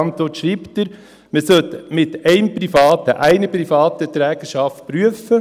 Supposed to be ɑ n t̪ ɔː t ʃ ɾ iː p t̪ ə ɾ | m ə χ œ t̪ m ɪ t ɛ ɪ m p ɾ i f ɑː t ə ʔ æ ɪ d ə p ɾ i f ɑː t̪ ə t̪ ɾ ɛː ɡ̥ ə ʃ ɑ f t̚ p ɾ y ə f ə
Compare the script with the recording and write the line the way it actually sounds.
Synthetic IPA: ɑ n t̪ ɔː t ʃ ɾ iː p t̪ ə ɾ | m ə s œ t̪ m ɪ t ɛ ɪ m p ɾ i f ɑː t ə ʔ æ ɪ n ə p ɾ i f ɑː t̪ ə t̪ ɾ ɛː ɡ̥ ə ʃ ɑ f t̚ p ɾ y ə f ə